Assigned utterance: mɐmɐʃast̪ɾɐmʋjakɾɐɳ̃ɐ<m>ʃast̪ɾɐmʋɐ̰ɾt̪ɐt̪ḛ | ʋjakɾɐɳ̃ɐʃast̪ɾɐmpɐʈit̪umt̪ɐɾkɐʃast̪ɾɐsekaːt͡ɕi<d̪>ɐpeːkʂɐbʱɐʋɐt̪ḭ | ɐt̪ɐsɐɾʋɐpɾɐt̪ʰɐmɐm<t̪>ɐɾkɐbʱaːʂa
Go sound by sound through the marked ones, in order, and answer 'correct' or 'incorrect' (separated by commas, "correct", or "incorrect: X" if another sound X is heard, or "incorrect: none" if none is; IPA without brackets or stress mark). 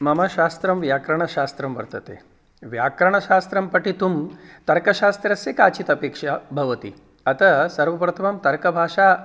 incorrect: none, incorrect: t̪, correct